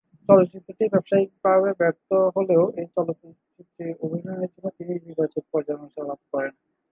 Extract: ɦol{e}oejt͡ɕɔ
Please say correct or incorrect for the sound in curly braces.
correct